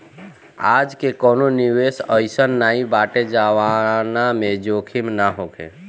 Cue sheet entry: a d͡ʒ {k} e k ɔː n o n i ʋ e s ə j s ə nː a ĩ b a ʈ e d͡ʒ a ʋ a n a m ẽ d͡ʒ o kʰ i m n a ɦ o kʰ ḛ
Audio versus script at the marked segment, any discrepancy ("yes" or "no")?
no